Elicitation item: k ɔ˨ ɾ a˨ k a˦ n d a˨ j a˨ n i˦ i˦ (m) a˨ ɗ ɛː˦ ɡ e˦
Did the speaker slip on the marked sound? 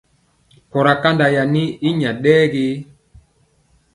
yes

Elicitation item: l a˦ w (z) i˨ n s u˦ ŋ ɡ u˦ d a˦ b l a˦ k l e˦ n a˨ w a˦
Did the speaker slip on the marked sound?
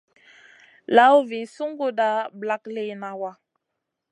yes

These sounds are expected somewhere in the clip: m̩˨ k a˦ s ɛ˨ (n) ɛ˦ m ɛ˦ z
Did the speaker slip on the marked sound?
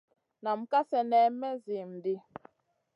no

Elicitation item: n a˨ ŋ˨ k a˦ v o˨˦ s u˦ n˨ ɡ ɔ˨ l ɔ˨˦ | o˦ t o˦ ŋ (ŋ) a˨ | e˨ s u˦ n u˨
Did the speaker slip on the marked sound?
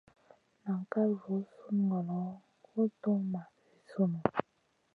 yes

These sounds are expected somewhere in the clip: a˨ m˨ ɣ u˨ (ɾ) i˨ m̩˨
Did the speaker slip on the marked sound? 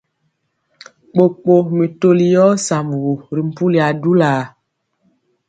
no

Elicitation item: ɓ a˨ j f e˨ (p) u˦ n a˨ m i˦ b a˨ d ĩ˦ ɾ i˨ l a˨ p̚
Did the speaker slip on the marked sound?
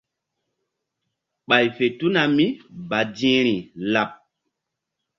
yes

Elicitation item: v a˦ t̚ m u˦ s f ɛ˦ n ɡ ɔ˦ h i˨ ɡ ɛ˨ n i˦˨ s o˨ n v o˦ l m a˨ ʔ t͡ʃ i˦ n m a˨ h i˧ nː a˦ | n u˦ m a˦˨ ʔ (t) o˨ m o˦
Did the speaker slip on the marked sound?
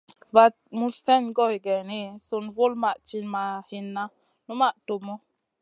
no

